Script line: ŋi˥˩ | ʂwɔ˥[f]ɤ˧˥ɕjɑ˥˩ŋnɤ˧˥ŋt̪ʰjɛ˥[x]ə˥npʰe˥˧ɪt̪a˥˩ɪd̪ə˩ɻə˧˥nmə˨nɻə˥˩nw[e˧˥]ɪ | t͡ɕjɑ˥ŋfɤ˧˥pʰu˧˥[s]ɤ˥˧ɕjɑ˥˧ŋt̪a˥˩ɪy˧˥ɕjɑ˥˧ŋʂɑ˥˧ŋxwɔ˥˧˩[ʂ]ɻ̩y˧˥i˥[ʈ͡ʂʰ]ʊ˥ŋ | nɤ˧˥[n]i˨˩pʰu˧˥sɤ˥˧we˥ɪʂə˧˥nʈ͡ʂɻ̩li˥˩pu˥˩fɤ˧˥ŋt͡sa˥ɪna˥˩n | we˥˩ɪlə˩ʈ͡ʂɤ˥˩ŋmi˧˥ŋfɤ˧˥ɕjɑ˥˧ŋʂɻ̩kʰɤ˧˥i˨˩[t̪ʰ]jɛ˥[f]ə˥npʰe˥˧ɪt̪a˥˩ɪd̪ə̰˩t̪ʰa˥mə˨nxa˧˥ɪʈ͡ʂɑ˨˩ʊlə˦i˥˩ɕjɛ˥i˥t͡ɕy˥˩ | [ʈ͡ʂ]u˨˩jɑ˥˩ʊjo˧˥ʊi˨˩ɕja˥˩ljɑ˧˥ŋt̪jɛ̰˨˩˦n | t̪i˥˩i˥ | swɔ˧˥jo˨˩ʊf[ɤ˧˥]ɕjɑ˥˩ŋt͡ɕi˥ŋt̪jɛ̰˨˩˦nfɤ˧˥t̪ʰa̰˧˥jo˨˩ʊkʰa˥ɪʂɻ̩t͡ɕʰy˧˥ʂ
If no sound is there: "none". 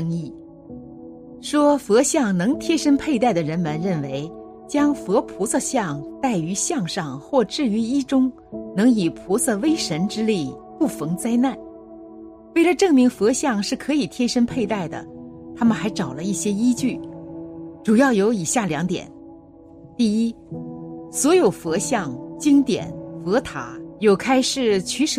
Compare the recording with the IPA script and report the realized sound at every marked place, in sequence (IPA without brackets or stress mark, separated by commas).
f, ʂ, e˧˥, s, ʈ͡ʂ, ʈ͡ʂ, ŋ, t̪ʰ, ʂ, ʈ͡ʂ, ɤ˧˥